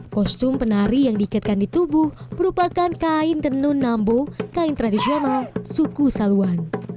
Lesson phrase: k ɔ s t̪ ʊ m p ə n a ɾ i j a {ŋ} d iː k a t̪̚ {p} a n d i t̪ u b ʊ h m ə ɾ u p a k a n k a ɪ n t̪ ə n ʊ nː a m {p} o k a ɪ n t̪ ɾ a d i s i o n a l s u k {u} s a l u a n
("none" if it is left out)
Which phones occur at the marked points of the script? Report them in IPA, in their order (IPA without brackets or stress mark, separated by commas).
ŋ, k, b, u